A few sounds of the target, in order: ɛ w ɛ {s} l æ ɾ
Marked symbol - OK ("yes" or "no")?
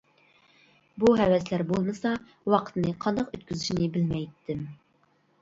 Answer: yes